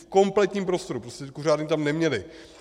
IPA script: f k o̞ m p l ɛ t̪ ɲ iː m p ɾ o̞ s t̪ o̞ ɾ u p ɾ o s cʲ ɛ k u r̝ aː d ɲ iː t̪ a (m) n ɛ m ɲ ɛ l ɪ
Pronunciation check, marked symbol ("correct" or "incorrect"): correct